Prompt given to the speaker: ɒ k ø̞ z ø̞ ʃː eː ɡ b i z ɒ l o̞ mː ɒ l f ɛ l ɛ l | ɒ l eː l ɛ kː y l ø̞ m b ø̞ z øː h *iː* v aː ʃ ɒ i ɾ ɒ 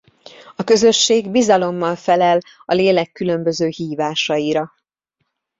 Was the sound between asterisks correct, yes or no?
yes